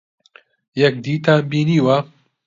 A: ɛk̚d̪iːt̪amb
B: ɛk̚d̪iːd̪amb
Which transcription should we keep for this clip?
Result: A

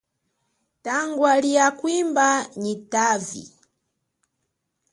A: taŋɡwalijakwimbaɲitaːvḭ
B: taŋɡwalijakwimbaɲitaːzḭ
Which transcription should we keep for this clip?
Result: A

